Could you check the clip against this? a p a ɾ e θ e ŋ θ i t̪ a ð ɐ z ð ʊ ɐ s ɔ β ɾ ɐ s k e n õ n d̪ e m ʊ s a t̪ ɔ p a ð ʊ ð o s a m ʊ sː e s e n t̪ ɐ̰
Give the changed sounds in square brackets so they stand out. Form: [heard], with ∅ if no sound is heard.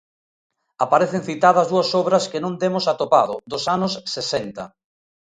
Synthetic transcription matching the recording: a p a ɾ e θ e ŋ θ i t̪ a ð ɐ z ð [u] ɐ s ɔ β ɾ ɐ s k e n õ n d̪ e m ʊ s a t̪ [o] p a ð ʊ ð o s a [n] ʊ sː e s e n t̪ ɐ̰